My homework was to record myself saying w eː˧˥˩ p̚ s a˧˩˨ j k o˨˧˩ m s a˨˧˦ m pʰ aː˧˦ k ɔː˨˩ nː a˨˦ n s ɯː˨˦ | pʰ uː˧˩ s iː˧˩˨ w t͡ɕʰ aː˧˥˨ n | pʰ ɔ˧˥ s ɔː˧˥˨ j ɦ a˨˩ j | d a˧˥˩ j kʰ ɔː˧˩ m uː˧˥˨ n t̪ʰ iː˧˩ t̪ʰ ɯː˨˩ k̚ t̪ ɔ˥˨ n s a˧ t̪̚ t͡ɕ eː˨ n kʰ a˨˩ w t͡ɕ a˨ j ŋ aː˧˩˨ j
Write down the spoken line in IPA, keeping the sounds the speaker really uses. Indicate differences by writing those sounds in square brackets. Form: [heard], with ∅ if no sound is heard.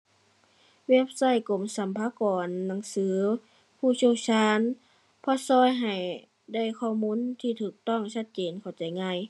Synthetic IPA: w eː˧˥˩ p̚ s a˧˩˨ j k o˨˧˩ m s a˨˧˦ m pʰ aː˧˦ k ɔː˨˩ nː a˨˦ [ŋ] s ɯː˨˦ | pʰ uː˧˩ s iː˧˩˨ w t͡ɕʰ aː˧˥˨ n | pʰ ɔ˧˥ s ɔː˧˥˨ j ɦ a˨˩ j | d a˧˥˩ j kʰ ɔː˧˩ m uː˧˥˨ n t̪ʰ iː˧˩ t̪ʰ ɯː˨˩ k̚ t̪ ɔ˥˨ [ŋ] s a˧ t̪̚ t͡ɕ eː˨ n kʰ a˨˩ w t͡ɕ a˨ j ŋ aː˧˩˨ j